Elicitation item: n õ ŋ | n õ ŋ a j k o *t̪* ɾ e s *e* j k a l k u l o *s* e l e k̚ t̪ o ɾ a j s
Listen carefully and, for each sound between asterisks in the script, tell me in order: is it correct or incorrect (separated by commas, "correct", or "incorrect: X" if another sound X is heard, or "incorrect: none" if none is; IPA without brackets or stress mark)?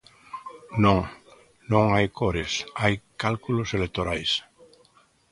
incorrect: none, incorrect: a, correct